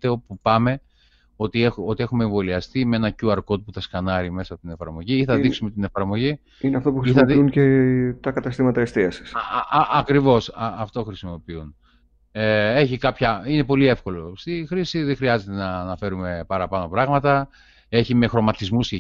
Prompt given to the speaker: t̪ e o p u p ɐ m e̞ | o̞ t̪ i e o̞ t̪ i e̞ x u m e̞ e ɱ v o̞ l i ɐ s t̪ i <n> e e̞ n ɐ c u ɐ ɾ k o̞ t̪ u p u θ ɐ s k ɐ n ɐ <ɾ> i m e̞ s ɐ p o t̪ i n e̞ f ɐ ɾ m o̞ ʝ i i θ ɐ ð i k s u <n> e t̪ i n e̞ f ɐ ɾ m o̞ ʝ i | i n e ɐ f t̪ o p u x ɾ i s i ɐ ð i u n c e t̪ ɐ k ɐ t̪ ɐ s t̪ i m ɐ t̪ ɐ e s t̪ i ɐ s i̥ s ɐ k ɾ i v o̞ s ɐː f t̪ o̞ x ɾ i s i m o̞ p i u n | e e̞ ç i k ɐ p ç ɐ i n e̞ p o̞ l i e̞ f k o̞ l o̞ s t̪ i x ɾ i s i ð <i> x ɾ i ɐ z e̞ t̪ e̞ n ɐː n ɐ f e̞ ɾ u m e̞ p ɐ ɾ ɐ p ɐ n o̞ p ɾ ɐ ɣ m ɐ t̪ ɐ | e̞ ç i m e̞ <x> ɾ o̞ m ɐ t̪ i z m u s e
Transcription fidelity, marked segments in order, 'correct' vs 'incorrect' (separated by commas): incorrect, correct, incorrect, incorrect, correct